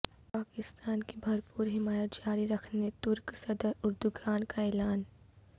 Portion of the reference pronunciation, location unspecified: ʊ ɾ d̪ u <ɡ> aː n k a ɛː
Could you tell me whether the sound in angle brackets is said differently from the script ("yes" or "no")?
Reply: no